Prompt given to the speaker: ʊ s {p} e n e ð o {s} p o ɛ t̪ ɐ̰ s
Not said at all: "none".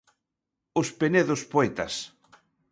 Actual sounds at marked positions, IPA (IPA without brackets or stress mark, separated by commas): p, s